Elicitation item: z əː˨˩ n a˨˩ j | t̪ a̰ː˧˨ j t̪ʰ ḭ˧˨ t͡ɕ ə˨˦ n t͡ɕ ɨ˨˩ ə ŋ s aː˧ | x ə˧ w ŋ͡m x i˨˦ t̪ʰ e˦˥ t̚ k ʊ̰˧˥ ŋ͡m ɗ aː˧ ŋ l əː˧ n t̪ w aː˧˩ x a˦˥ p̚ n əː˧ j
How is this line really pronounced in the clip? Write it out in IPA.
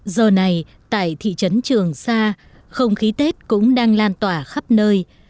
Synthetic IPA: z əː˨˩ n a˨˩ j | t̪ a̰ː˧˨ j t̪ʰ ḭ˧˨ t͡ɕ ə˨˦ n t͡ɕ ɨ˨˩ ə ŋ s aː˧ | x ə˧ w ŋ͡m x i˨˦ t̪ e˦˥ t̚ k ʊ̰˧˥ ŋ͡m ɗ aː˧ ŋ l aː˧ n t̪ w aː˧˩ x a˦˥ p̚ n əː˧ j